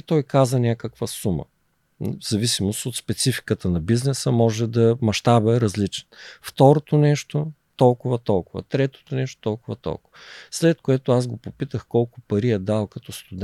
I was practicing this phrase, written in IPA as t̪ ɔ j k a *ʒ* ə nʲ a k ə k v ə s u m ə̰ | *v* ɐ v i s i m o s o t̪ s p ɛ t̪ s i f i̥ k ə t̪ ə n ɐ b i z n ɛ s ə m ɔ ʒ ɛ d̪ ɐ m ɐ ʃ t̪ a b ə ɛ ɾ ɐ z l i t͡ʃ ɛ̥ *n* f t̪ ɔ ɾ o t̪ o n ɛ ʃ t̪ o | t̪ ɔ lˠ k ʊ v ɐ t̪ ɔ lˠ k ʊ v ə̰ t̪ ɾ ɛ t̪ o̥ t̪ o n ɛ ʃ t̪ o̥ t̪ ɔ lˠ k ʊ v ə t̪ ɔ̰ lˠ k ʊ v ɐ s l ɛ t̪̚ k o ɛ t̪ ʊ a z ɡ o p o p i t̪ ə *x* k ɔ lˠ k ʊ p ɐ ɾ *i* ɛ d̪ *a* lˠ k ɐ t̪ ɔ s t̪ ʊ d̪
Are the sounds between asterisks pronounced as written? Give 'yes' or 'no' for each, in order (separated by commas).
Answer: no, no, yes, yes, yes, yes